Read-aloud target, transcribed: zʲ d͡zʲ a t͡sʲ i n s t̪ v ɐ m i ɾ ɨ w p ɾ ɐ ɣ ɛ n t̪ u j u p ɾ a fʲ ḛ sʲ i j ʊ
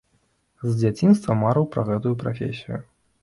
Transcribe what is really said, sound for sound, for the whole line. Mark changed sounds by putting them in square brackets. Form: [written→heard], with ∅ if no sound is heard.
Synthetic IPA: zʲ d͡zʲ a t͡sʲ i n s t̪ v ɐ m [i→a] ɾ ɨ w p ɾ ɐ ɣ ɛ [n→∅] t̪ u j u p ɾ a fʲ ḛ sʲ i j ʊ